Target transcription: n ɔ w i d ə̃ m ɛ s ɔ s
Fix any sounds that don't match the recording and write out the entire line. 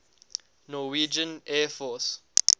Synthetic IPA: n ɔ w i d͡ʒ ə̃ n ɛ f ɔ s